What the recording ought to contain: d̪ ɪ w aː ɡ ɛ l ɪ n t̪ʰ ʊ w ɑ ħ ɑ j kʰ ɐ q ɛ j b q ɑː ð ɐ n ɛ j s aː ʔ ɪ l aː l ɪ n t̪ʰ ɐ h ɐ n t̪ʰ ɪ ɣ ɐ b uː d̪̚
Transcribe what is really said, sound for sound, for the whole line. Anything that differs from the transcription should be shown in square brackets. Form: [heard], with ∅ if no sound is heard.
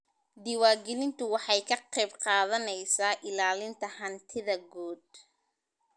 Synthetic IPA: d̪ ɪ w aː ɡ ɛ l ɪ n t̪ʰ ʊ w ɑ ħ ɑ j kʰ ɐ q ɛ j b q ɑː ð ɐ n ɛ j s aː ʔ ɪ l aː l ɪ n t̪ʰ ɐ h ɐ n t̪ʰ ɪ [ð] ɐ [ɡ] uː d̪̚